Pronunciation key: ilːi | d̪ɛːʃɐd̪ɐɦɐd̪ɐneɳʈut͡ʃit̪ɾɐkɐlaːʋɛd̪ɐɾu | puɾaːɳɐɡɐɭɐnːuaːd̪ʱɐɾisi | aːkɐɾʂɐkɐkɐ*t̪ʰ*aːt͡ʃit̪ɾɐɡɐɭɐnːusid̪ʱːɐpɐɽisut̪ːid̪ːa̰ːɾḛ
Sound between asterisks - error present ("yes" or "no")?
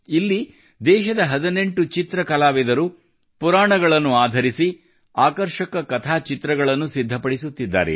no